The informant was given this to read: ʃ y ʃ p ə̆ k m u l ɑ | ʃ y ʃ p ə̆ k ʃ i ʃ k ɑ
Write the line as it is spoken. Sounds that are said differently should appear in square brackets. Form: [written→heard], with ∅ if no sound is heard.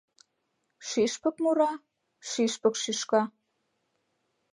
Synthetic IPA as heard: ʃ [y→i] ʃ p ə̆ k m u [l→ɾ] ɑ | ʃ [y→i] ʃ p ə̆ k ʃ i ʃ k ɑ